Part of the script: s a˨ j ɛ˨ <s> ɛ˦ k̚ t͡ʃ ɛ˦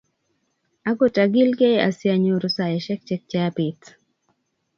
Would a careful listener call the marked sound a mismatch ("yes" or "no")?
yes